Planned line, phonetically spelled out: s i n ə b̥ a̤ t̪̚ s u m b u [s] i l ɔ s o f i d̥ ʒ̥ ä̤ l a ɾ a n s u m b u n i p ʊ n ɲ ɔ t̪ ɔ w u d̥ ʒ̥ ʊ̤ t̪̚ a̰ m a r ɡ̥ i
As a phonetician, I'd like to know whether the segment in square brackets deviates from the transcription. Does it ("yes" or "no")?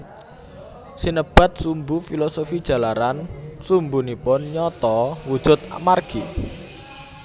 yes